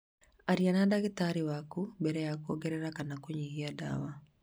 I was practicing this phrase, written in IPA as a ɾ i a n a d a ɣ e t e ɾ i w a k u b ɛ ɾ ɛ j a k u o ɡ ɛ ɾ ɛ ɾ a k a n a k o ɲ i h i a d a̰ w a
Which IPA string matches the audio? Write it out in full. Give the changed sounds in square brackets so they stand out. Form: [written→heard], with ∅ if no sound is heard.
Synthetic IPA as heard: a ɾ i a n a d a ɣ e t [e→a] ɾ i w a k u b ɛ ɾ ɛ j a k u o ɡ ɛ ɾ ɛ ɾ a k a n a k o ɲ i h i a d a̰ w a